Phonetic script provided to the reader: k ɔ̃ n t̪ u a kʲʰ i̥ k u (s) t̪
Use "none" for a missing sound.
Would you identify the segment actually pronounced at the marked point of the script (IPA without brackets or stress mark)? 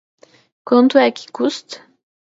s